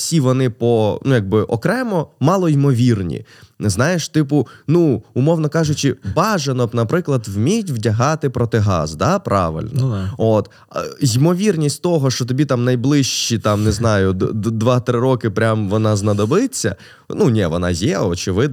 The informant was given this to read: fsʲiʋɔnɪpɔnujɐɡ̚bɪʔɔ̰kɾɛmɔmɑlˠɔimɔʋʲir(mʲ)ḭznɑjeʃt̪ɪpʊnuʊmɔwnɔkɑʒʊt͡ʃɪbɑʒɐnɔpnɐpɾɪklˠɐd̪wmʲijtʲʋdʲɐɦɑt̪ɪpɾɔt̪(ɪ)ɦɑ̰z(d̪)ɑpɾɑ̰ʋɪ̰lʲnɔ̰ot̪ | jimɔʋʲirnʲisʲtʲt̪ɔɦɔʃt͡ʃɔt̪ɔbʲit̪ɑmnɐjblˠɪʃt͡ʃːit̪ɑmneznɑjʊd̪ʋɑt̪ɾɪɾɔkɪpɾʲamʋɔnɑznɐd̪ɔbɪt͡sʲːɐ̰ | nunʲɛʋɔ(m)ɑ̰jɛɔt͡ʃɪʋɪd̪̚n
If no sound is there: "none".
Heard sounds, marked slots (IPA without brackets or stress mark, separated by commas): nʲ, ɪ, d̪, n